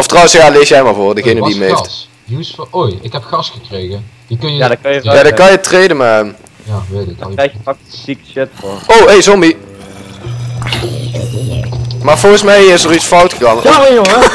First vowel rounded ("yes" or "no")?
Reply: yes